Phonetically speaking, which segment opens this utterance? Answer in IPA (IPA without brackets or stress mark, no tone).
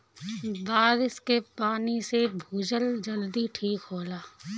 b